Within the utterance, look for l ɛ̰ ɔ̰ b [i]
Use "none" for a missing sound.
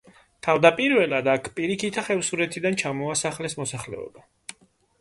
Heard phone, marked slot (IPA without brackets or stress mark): a